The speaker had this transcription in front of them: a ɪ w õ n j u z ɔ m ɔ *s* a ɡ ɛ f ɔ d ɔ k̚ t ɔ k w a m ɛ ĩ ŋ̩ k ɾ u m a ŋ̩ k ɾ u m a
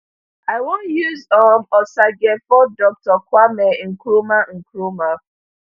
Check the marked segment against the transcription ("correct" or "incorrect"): correct